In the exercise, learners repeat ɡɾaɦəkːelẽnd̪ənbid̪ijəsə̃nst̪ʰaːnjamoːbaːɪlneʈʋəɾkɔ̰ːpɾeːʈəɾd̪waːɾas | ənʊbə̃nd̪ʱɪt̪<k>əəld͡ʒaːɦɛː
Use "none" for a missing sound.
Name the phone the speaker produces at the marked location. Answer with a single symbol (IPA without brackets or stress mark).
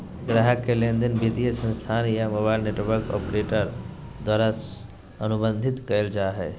k